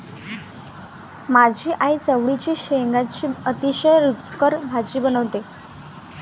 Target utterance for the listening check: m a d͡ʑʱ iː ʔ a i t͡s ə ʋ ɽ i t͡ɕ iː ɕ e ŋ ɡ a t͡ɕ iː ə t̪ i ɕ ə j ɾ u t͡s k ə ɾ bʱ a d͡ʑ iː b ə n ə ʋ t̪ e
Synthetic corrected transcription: m a d͡ʑʱ iː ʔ a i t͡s ə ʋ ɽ i t͡ɕ iː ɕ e ŋ ɡ a t͡ɕ iː ə t̪ i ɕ ə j ɾ u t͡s k ə ɾ bʱ a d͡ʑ iː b ə n ə ʋ t̪ e